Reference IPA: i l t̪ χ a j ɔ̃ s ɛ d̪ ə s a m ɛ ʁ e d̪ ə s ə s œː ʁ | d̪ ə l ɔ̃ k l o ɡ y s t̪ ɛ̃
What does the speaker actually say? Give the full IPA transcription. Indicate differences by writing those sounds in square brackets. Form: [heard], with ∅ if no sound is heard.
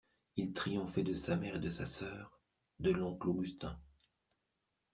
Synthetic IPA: i l t̪ χ [i] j ɔ̃ [f] ɛ d̪ ə s a m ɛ ʁ e d̪ ə s [a] s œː ʁ | d̪ ə l ɔ̃ k l o ɡ y s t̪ ɛ̃